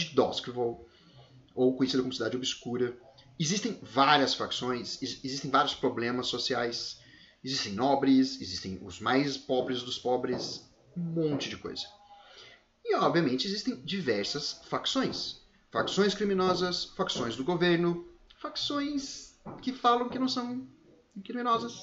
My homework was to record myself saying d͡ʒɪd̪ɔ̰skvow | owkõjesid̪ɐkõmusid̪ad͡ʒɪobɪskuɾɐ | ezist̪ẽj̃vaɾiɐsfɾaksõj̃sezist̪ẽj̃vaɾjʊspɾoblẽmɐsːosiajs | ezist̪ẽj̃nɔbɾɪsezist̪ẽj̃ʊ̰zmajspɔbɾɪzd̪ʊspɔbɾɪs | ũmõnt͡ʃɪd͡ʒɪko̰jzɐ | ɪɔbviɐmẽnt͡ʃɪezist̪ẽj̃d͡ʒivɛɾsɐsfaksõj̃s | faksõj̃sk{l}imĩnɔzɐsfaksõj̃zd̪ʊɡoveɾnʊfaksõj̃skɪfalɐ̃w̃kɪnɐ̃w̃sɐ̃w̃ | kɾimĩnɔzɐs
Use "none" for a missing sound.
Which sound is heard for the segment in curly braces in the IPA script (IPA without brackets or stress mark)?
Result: ɾ